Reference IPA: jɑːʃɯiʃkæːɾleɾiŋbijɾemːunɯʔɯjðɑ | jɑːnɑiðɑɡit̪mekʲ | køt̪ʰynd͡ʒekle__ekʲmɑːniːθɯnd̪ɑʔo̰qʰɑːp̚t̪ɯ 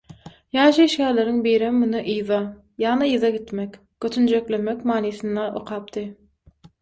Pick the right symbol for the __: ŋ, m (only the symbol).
m